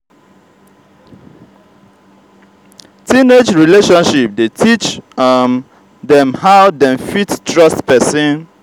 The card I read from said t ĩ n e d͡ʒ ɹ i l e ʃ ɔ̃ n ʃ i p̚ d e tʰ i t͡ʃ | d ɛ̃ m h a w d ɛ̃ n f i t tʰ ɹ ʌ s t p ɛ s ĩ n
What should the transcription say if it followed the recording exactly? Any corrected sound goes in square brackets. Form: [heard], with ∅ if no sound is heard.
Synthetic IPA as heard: t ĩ n e d͡ʒ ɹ i l e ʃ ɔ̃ n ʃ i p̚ d e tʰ i t͡ʃ | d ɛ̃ m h a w d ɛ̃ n f i t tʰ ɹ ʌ s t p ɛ s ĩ n